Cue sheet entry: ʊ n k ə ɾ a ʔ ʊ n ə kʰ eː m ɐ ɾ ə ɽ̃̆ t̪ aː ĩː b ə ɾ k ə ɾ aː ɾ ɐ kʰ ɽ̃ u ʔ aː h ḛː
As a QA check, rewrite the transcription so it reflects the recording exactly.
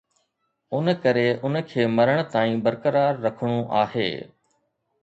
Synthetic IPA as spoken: ʊ n k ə ɾ e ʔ ʊ n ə kʰ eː m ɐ ɾ ə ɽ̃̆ t̪ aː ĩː b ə ɾ k ə ɾ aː ɾː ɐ kʰ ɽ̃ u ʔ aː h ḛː